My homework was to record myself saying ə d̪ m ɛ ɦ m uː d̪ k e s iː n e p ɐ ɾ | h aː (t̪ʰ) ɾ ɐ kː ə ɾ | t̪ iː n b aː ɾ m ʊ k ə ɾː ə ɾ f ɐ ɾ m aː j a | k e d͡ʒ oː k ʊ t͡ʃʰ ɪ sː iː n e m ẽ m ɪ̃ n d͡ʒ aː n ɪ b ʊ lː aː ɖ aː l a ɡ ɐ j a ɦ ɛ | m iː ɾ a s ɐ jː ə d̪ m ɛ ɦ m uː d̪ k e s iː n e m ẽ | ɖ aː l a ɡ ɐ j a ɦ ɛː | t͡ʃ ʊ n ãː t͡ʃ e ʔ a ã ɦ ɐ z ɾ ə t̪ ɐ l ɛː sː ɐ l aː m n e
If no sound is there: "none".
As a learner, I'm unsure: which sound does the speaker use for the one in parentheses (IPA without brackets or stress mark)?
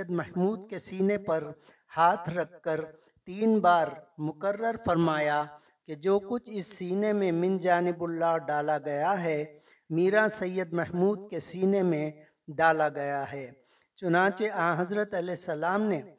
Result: t̪ʰ